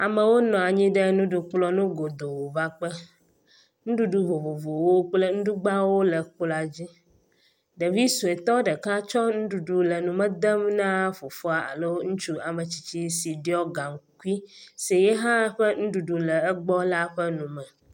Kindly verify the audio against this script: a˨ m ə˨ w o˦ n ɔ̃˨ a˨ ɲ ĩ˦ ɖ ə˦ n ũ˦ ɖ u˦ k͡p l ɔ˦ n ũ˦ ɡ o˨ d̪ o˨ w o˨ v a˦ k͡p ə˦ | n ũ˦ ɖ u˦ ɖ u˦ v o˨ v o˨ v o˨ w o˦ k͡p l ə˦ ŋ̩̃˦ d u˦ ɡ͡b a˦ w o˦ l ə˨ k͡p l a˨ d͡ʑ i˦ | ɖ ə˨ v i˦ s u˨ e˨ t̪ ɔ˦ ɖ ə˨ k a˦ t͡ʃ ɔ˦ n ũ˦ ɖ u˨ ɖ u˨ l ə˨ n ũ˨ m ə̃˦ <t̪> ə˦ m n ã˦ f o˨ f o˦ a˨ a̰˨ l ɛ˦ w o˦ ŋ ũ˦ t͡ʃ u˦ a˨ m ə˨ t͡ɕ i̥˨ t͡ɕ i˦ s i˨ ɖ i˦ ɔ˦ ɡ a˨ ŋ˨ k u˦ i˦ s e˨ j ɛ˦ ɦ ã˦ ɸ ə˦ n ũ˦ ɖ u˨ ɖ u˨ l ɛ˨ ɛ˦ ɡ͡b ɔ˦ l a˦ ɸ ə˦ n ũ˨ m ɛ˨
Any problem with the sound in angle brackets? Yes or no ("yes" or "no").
yes